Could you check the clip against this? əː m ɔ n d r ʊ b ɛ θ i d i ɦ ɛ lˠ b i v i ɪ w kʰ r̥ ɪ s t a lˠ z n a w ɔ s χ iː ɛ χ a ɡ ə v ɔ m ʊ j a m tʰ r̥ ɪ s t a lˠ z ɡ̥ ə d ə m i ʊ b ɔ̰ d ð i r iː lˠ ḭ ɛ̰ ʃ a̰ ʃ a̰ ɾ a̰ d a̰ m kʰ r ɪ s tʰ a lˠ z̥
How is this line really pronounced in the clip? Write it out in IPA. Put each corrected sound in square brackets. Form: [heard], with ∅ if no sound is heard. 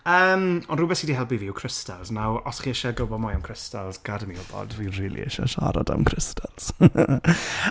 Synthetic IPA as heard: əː m ɔ n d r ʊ b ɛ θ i d i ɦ ɛ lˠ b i v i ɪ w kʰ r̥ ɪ s t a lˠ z n a w ɔ s χ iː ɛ [ʃ] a ɡ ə [b] ɔ m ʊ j a m [kʰ] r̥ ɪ s t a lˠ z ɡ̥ [a] d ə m i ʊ b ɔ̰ d [v] i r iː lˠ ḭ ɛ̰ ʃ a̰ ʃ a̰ ɾ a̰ d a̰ m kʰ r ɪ s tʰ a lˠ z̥

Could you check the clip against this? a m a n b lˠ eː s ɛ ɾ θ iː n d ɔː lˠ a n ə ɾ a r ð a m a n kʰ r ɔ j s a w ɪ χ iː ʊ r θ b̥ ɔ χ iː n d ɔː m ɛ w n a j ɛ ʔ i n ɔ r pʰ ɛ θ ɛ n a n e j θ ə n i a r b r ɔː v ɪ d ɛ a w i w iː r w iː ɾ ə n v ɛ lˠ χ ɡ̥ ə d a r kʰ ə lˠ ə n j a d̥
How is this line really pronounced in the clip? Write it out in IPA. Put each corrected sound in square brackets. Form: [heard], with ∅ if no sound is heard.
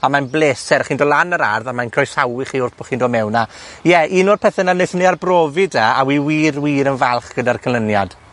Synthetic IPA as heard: a m a n b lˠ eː s ɛ ɾ [χ] iː n d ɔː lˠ a n ə ɾ a r ð a m a n kʰ r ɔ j s a w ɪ χ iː ʊ r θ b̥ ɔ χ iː n d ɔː m ɛ w n a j ɛ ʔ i n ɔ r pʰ ɛ θ ɛ n a n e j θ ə n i a r b r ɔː v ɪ d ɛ a w i w iː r w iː ɾ ə n v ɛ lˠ χ ɡ̥ ə d a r kʰ ə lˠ ə n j a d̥

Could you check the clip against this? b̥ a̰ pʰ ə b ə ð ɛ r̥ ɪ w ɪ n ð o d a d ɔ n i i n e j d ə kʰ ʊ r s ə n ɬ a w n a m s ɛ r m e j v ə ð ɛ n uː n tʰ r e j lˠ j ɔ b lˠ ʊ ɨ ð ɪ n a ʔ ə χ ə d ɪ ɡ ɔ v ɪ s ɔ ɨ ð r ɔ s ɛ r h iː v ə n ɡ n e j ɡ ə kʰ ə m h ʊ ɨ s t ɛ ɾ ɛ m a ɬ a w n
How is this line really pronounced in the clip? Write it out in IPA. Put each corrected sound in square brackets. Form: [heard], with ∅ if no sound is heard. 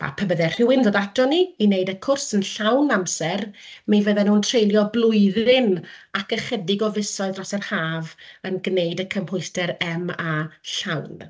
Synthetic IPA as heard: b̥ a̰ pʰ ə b ə ð ɛ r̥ ɪ w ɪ n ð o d a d ɔ n i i n e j d ə kʰ ʊ r s ə n ɬ a w n a m s ɛ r m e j v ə ð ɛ n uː n tʰ r e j lˠ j ɔ b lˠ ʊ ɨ ð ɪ n a [k] ə χ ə d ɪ ɡ ɔ v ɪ s ɔ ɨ ð r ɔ s ɛ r h [aː] v ə n ɡ n e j [d] ə kʰ ə m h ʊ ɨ s t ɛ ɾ ɛ m a ɬ a w n

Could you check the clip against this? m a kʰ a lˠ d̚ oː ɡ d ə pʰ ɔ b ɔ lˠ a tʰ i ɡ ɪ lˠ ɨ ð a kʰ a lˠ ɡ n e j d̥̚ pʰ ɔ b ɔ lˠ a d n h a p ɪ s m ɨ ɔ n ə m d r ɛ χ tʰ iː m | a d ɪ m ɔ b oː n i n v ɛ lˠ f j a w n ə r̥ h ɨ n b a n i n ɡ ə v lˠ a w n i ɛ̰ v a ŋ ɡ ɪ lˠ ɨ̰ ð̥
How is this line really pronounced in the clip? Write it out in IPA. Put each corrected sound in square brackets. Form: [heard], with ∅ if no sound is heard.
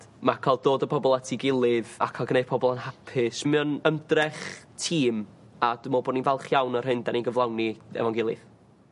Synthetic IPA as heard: m a kʰ a lˠ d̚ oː [∅] d ə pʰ ɔ b ɔ lˠ a tʰ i ɡ ɪ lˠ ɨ ð a kʰ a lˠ ɡ n e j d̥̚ pʰ ɔ b ɔ lˠ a [∅] n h a [pʰ] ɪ s m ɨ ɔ n ə m d r ɛ χ tʰ iː m | a d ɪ m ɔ b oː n i n v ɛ lˠ [χ] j a w n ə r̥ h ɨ n [d] a n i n ɡ ə v lˠ a w n i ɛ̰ v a ŋ ɡ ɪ lˠ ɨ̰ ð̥

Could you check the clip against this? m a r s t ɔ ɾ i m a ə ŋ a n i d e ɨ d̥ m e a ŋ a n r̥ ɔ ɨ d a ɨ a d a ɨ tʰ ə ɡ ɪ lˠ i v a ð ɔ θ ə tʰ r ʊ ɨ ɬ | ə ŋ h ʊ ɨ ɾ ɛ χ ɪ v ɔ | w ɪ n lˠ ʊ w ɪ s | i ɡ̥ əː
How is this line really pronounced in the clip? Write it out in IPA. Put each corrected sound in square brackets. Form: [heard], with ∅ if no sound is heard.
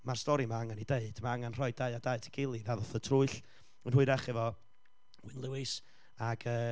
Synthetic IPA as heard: m a r s t ɔ ɾ i m a [a] ŋ a n i d e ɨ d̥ m [a] a ŋ a n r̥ ɔ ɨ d a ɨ a d a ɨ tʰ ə ɡ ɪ lˠ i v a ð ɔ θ ə tʰ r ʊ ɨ ɬ | ə [n] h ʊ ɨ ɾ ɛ χ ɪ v ɔ | w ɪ n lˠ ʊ w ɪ s | [a] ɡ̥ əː

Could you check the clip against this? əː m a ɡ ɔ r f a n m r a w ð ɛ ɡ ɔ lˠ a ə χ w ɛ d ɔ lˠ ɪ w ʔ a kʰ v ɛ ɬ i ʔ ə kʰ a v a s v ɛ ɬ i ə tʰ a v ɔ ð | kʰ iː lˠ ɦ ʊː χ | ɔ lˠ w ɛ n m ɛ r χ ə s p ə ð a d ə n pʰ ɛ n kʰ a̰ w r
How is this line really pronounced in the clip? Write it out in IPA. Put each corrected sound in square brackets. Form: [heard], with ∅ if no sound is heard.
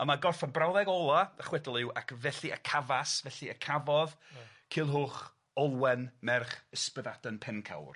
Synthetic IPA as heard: [ə] m a ɡ ɔ r f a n [b] r a w ð ɛ ɡ ɔ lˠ a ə χ w ɛ d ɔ lˠ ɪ w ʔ a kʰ v ɛ ɬ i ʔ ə kʰ a v a s v ɛ ɬ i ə [kʰ] a v ɔ ð | kʰ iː lˠ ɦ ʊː χ | ɔ lˠ w ɛ n m ɛ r χ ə s p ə ð a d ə n pʰ ɛ n kʰ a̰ w r

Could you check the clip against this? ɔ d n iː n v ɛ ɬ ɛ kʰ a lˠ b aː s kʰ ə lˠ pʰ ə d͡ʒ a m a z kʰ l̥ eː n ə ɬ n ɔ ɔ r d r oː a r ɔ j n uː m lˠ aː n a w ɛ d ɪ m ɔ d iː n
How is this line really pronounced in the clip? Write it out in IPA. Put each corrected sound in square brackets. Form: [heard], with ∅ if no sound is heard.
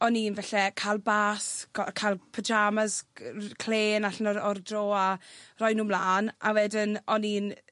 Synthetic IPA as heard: ɔ [∅] n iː n v ɛ ɬ ɛ kʰ a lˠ b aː s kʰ [a] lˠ pʰ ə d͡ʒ a m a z kʰ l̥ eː n [a] ɬ n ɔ ɔ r d r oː a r ɔ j n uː m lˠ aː n a w ɛ d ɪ [n] ɔ [n] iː n

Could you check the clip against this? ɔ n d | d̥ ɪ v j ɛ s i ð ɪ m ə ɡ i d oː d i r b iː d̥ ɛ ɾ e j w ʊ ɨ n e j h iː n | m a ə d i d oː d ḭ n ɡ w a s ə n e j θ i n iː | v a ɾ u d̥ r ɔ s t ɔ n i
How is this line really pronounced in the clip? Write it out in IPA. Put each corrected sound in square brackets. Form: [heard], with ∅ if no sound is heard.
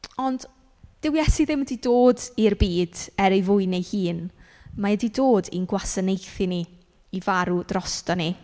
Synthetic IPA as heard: ɔ n d | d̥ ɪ [w] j ɛ s i ð ɪ m ə [d] i d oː d i r b iː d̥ ɛ ɾ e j [v] ʊ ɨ n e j h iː n | m a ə d i d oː d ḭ n ɡ w a s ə n e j θ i n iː | v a ɾ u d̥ r ɔ s t ɔ n i

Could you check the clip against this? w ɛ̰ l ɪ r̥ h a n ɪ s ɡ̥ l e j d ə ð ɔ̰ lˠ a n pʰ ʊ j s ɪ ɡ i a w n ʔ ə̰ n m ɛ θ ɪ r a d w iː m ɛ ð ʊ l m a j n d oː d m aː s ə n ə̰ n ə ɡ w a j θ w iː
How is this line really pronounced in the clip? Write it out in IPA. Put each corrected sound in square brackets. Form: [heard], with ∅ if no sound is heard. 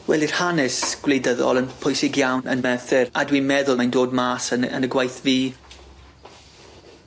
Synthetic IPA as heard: w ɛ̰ l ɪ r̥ h a n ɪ s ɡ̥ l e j d ə ð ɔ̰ lˠ [ə] n pʰ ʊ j s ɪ ɡ [j] a w n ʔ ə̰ n m ɛ θ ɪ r a d w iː m ɛ ð ʊ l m a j n d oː d m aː s ə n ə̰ n ə ɡ w a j θ [v] iː

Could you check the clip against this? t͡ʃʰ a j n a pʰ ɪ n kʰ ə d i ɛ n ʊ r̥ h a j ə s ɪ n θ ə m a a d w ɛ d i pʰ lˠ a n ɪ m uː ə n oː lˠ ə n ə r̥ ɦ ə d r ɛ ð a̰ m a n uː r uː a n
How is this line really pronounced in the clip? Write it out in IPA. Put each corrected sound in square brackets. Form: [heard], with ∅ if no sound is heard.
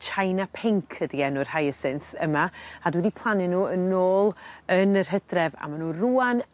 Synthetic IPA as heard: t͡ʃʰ a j n a pʰ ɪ [ŋ] kʰ ə d i ɛ n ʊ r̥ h a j ə s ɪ n θ ə m a a d w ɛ d i pʰ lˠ a n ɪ [n] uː ə n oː lˠ ə n ə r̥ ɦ ə d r ɛ [v] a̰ m a n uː r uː a n

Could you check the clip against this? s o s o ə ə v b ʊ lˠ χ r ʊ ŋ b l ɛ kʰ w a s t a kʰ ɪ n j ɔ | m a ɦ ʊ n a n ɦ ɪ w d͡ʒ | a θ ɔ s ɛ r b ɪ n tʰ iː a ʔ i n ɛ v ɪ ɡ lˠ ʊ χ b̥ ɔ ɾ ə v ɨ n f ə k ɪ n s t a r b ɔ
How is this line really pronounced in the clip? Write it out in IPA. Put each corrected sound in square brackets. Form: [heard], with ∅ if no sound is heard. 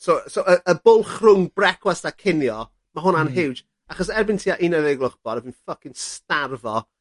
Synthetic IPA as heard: s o s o ə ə [∅] b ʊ lˠ χ r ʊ ŋ b [r] ɛ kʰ w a s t a kʰ ɪ n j ɔ | m a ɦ ʊ n a n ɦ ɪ w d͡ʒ | a [χ] ɔ s ɛ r b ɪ n tʰ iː a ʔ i n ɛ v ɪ ɡ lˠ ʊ χ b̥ ɔ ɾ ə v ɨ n f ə k ɪ n s t a r [v] ɔ

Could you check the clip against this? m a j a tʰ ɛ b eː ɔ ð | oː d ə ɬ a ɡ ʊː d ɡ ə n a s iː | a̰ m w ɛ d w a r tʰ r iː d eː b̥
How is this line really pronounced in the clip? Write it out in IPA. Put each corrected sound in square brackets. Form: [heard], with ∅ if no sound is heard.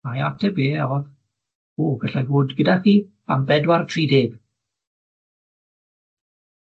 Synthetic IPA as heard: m a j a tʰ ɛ b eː ɔ ð | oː [ɡ] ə ɬ a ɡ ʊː d ɡ ə [d] a [χ] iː | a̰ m [b] ɛ d w a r tʰ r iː d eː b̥

